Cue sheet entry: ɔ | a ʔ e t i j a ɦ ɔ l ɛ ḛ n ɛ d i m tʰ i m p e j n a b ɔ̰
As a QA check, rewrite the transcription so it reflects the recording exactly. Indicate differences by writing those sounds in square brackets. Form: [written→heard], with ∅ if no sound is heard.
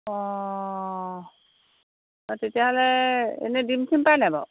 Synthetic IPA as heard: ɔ | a [ʔ→t] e t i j a ɦ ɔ l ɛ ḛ n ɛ d i m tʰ i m p [e→a] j n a b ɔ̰